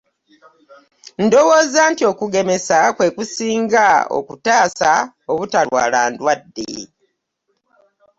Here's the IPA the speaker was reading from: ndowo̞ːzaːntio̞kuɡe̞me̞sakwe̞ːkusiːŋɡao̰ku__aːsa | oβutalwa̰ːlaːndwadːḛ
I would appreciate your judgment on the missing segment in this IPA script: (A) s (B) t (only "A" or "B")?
B